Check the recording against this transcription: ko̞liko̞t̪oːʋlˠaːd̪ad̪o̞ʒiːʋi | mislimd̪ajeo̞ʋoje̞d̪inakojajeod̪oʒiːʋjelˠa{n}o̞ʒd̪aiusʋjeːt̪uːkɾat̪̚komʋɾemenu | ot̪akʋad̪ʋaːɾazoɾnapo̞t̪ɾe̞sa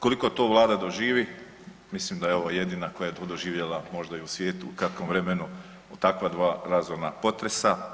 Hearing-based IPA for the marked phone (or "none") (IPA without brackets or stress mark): m